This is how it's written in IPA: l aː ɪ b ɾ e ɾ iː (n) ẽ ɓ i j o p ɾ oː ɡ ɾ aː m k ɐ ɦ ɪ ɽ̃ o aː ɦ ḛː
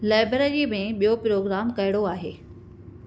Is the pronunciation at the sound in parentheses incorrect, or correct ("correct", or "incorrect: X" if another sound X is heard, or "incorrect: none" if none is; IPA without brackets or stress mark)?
incorrect: m